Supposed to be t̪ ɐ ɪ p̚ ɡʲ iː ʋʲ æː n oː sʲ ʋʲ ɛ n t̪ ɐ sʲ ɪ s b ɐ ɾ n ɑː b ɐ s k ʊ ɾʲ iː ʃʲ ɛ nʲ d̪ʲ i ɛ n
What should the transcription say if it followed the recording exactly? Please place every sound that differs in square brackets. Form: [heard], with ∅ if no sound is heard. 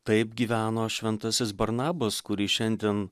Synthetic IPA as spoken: t̪ ɐ ɪ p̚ ɡʲ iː ʋʲ æː n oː [ʃʲ] ʋʲ ɛ n t̪ ɐ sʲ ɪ s b ɐ ɾ n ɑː b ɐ s k ʊ ɾʲ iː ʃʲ ɛ nʲ d̪ʲ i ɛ n